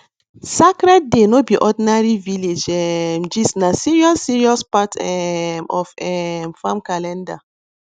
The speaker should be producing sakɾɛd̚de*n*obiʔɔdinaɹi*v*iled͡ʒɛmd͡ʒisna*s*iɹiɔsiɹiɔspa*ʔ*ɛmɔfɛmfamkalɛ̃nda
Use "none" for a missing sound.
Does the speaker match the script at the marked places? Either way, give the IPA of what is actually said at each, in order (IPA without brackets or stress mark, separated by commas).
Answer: n, v, s, t